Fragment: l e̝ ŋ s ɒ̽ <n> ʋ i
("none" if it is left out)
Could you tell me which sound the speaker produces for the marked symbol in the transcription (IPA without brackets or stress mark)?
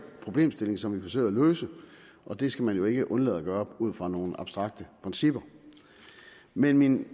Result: m